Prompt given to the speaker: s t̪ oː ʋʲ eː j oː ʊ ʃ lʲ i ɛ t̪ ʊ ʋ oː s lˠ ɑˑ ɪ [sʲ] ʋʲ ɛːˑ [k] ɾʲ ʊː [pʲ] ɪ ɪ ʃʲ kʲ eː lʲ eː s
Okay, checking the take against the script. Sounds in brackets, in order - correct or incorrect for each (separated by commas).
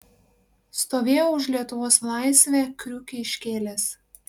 correct, correct, incorrect